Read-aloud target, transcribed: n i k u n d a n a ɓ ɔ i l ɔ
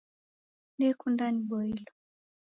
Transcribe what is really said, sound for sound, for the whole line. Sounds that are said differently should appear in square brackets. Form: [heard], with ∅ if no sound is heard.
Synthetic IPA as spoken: n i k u n d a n [i] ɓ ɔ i l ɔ